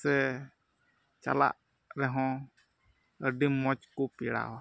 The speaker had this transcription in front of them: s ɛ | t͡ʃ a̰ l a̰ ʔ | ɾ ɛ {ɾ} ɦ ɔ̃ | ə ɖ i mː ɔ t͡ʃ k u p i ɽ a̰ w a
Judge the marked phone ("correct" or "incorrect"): incorrect